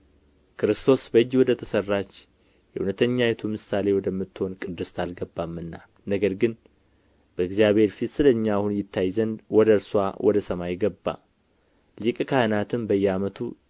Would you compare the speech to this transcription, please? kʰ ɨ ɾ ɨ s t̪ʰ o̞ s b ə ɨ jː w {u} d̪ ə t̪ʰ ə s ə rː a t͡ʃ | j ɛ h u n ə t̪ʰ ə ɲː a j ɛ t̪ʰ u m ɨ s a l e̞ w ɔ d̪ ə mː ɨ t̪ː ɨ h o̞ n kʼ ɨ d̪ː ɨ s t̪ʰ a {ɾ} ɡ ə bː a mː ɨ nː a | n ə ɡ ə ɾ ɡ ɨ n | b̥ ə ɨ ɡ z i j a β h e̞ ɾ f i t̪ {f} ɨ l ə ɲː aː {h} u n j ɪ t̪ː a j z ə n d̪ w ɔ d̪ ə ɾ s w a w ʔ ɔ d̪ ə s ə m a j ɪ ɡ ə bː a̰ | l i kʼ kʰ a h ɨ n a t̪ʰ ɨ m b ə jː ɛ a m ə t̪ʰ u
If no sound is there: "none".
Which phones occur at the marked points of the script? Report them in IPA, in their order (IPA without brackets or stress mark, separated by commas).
ɔ, l, s, h